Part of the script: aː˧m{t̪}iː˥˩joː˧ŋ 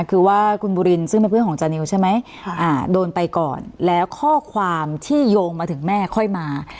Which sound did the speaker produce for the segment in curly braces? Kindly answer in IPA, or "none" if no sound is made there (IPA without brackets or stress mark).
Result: t̪ʰ